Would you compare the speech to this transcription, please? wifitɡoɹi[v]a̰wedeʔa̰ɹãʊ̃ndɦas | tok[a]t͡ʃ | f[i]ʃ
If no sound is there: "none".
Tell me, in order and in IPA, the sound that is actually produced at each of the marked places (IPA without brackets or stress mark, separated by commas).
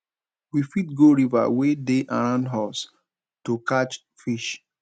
v, a, i